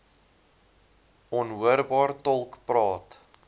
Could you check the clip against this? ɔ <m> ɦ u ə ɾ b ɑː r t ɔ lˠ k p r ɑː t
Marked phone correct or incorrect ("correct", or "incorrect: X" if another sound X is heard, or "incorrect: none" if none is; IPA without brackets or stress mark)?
incorrect: n